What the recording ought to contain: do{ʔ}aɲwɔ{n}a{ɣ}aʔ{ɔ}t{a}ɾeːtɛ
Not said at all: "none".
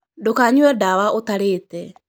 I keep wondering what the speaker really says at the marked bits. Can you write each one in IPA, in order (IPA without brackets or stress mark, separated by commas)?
k, d, w, o, a